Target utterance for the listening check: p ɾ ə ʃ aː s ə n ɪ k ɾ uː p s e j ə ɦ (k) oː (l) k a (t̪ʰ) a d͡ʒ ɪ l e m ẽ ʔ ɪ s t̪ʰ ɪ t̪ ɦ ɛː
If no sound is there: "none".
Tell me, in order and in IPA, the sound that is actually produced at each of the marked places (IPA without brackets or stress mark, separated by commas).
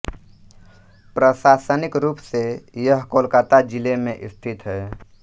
k, l, t̪